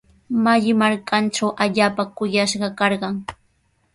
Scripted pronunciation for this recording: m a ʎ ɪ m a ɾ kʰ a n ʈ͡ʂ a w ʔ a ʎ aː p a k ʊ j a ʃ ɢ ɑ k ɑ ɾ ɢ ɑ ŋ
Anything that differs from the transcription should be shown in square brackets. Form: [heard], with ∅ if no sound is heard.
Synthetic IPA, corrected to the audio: m a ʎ ɪ m a ɾ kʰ a n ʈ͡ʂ a w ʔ a ʎ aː p a k ʊ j a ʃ ɢ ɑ k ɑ ɾ ɢ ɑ ŋ